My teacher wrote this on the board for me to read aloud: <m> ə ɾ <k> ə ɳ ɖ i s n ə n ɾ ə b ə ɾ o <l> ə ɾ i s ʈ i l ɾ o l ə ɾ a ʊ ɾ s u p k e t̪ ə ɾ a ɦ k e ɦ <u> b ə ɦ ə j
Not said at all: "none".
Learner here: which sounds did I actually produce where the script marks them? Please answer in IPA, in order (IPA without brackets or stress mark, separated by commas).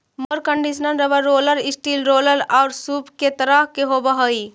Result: m, k, l, o